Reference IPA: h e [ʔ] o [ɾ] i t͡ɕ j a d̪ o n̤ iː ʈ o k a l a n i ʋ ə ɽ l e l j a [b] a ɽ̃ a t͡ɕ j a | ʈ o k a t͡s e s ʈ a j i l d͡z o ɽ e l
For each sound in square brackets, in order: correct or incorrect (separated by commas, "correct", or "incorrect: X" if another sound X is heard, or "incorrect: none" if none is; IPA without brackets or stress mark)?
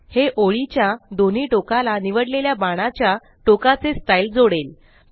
correct, incorrect: ɭ, correct